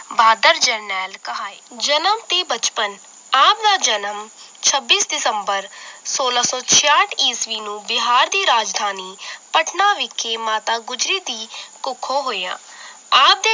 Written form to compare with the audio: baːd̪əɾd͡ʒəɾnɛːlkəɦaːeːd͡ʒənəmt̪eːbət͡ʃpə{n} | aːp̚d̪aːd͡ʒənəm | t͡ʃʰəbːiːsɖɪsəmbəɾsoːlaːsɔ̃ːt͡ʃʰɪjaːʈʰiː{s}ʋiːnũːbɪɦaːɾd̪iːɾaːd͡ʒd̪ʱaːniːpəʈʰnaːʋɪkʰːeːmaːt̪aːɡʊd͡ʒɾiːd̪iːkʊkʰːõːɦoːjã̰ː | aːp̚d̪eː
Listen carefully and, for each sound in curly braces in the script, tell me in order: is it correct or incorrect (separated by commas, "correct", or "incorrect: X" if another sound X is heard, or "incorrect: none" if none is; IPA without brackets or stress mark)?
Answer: correct, correct